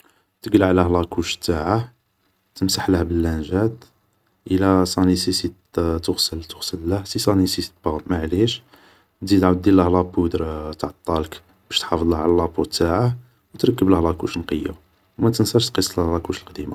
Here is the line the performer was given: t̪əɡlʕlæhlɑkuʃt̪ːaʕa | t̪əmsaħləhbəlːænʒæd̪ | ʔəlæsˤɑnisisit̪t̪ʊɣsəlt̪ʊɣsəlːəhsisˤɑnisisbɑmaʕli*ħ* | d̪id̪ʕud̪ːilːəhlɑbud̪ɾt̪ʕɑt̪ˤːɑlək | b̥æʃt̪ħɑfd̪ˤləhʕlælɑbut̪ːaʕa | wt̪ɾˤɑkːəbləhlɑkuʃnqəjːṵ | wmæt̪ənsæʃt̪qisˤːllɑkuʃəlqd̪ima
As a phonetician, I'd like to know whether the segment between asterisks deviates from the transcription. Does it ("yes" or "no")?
yes